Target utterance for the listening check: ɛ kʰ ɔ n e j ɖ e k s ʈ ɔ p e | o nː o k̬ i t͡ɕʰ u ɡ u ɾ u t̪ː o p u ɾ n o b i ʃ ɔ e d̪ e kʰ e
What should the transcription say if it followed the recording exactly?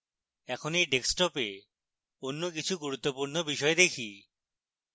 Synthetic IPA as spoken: ɛ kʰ o n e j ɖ e k s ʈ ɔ p e | o nː o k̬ i t͡ɕʰ u ɡ u ɾ u t̪ː o p u ɾ n o b i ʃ ɔ e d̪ e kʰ i